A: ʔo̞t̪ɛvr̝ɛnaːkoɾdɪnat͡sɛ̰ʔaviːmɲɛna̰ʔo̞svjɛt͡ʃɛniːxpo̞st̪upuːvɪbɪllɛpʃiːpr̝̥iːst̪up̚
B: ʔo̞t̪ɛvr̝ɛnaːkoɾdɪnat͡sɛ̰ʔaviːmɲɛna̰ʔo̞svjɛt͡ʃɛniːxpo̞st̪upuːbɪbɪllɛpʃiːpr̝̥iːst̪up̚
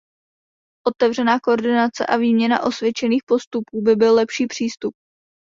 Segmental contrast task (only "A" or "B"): B